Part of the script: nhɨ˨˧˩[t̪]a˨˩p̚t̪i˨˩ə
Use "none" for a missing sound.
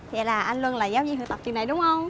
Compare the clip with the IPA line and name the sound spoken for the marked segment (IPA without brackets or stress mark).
t̪